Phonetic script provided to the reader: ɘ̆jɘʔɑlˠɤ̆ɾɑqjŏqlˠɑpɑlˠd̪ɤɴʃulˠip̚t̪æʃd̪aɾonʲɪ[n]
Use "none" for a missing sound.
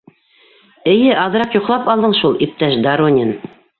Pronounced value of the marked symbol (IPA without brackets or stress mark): n